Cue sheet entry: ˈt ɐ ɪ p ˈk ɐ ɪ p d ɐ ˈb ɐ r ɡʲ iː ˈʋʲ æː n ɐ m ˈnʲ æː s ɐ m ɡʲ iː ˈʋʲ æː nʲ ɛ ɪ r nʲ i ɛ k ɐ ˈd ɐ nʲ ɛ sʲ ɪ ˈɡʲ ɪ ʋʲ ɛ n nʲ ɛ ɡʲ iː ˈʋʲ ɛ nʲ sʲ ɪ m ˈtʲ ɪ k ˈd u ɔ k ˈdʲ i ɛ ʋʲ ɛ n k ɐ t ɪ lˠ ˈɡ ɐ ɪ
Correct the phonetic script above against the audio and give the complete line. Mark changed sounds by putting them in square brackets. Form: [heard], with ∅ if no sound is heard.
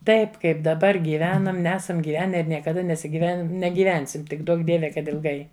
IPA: ˈt ɐ ɪ p ˈk ɐ ɪ p d ɐ ˈb ɐ r ɡʲ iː ˈʋʲ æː n ɐ m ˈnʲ æː s ɐ m ɡʲ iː ˈʋʲ æː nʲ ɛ ɪ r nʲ i ɛ k ɐ ˈd ɐ nʲ ɛ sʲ ɪ ˈɡʲ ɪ ʋʲ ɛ n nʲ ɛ ɡʲ iː ˈʋʲ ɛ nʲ sʲ ɪ m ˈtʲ ɪ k ˈd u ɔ k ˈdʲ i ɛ ʋʲ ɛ [∅] k ɐ t ɪ lˠ ˈɡ ɐ ɪ